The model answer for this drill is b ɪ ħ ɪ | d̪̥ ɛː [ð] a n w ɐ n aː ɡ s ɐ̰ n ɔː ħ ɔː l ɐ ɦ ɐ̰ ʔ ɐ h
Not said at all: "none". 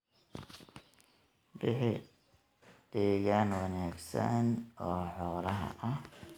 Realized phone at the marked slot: ɣ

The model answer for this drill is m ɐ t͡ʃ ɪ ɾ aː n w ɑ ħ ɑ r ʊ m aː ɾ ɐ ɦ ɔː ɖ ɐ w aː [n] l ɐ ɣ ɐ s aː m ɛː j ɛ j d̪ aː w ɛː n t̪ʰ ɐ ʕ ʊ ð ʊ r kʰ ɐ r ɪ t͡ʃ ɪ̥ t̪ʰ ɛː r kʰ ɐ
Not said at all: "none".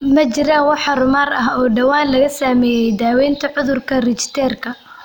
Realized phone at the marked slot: n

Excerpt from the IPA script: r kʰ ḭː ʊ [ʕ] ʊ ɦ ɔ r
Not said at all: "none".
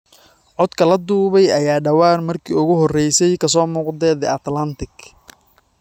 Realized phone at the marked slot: ɣ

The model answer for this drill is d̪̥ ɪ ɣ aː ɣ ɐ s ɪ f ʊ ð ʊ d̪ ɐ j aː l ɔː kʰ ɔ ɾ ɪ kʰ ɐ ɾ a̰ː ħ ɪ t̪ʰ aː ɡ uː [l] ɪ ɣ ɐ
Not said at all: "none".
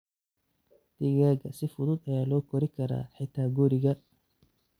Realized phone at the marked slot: ɾ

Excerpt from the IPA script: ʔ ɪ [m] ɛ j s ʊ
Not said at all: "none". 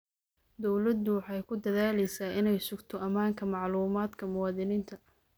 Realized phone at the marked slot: n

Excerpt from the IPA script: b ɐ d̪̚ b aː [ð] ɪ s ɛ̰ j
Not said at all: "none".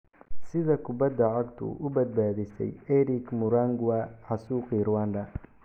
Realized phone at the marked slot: ð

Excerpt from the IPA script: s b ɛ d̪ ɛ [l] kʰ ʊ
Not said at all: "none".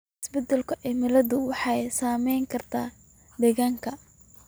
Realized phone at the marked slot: l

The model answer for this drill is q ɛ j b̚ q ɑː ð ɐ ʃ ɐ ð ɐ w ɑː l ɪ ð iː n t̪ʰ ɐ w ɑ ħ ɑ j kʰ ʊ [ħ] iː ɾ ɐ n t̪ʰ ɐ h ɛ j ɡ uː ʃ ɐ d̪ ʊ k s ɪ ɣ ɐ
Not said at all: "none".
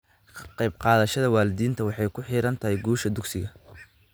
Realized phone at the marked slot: ħ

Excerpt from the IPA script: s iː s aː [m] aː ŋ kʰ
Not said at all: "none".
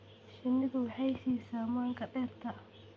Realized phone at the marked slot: m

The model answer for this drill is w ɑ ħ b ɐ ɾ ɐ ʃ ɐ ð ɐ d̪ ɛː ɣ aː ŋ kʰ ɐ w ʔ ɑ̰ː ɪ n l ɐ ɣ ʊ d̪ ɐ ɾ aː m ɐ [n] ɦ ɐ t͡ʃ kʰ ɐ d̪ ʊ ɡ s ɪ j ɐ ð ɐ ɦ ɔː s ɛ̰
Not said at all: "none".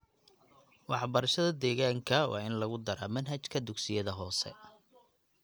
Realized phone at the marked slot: n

